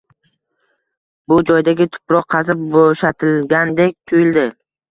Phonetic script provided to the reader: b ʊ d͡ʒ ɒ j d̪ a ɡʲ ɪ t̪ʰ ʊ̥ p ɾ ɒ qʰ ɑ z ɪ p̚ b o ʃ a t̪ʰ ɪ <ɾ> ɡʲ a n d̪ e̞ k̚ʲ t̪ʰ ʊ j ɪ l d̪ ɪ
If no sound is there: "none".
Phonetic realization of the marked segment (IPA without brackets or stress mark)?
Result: l